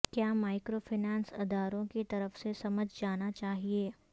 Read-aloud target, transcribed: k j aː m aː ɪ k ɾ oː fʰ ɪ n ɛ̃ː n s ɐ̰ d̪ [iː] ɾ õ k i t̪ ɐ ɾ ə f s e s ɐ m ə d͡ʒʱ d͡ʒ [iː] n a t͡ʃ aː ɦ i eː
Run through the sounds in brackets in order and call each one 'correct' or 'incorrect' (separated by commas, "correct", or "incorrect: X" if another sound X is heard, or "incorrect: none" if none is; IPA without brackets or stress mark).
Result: incorrect: aː, incorrect: aː